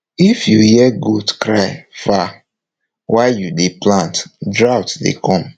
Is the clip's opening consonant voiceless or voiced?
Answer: voiceless